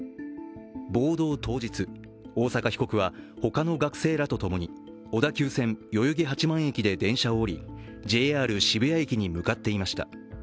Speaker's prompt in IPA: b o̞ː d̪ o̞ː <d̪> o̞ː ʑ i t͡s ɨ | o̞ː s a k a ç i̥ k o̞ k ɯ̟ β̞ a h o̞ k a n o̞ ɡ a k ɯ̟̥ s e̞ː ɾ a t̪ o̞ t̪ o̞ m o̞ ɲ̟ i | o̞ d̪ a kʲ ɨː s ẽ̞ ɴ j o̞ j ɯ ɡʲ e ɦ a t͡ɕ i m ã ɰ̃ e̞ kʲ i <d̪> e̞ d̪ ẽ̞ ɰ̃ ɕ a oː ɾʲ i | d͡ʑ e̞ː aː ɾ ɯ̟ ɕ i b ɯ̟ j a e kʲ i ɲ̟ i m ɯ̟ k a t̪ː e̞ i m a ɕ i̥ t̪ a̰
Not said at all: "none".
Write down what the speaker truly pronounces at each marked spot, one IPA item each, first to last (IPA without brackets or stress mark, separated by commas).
t̪, d̪